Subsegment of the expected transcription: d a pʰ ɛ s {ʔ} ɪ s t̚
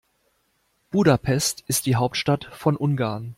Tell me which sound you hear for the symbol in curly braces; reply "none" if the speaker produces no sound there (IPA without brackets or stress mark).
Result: t